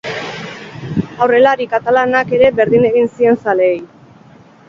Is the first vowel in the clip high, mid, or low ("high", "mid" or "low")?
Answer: low